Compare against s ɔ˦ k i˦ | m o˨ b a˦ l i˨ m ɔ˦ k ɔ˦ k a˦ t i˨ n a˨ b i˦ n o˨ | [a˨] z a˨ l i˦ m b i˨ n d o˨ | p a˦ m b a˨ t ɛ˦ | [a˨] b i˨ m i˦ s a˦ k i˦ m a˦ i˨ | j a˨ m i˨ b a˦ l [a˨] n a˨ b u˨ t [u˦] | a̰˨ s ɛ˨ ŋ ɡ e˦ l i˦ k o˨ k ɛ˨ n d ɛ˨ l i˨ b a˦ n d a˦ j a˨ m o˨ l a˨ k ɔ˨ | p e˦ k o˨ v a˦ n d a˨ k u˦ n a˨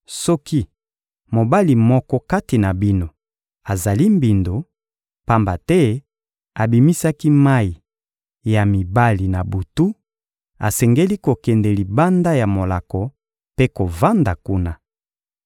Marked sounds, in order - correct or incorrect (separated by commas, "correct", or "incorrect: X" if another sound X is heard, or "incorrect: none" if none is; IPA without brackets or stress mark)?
correct, correct, incorrect: i˨, correct